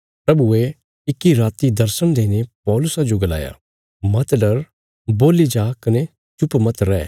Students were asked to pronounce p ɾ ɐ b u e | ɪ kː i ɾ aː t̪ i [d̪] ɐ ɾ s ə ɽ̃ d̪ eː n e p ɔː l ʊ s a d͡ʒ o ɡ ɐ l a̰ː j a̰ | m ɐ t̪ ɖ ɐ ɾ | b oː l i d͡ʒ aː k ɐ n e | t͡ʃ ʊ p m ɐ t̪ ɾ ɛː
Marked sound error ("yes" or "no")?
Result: no